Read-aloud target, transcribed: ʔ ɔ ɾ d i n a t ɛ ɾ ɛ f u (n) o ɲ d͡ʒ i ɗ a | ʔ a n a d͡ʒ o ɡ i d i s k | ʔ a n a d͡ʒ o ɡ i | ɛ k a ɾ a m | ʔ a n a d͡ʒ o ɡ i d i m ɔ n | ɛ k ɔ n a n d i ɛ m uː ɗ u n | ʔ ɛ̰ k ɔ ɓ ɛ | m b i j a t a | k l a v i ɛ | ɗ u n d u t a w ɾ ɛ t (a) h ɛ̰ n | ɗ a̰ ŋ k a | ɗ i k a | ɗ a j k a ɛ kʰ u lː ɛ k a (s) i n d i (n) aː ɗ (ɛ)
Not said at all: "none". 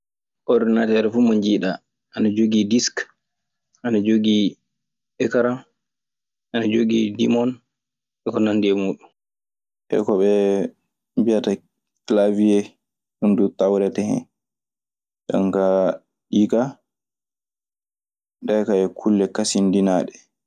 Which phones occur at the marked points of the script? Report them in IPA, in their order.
m, ɛ, s, n, ɛ

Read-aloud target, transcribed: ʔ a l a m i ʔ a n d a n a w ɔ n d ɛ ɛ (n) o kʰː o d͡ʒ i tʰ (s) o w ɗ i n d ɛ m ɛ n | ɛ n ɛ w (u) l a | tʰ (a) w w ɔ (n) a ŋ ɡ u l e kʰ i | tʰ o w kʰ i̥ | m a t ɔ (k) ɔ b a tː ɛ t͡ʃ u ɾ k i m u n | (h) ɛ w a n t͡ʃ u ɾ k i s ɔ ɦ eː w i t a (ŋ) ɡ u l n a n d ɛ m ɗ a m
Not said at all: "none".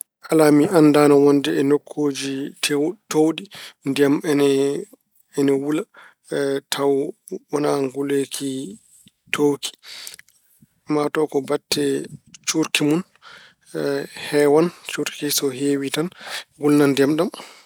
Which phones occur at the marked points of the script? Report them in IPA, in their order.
n, t, u, a, n, k, h, n

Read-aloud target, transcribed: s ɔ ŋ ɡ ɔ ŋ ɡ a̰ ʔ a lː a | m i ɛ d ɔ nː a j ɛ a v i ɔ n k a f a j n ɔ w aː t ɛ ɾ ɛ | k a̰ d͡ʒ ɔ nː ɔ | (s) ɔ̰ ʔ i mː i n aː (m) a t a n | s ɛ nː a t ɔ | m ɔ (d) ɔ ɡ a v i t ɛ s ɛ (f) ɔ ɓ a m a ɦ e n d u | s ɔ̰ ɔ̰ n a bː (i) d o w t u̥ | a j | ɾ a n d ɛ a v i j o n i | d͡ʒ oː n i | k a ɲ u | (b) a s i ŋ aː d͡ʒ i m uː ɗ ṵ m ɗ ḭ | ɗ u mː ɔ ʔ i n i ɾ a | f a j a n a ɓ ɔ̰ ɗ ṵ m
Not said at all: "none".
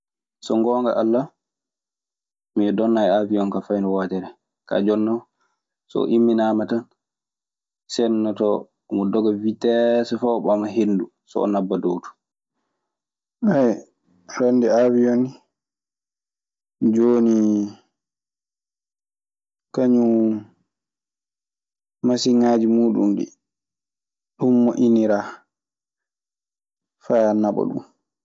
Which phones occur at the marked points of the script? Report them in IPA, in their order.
s, m, d, f, a, m

